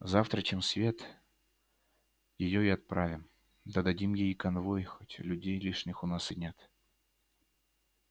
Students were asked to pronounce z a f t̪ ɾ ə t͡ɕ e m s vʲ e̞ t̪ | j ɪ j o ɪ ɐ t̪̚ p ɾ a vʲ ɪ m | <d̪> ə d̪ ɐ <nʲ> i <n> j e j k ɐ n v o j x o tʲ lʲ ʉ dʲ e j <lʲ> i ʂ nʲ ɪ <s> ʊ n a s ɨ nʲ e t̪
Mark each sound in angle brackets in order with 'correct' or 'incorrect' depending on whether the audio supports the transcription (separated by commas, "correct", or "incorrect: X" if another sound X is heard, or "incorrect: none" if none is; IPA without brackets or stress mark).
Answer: correct, incorrect: dʲ, incorrect: m, correct, incorrect: x